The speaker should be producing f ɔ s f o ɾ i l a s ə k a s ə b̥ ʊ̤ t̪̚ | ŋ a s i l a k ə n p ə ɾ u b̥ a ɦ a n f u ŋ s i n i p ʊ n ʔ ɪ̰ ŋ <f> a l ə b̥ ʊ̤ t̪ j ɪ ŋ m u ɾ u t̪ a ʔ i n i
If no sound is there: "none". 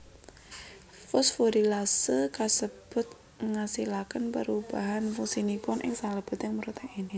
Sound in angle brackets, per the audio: s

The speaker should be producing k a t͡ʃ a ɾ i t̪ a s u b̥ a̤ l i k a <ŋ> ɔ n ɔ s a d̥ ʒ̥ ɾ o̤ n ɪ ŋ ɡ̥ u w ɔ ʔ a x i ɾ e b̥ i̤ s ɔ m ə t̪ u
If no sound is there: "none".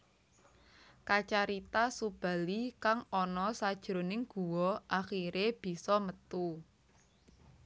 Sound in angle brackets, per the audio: ŋ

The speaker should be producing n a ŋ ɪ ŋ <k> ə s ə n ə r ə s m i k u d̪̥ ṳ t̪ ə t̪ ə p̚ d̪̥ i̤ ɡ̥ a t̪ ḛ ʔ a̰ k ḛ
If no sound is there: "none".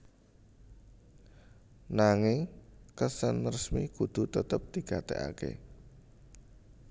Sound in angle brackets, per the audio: k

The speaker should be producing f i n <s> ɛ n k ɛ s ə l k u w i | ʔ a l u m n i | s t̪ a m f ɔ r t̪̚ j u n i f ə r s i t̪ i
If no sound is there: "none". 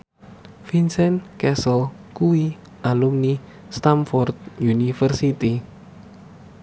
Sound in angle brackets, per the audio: s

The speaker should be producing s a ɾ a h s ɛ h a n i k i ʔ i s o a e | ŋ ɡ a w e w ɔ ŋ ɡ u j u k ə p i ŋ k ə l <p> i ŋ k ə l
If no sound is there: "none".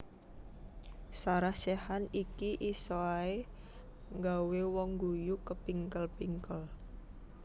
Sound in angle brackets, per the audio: p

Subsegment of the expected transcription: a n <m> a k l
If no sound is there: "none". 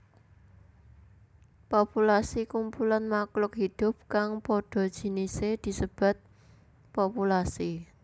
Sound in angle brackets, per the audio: m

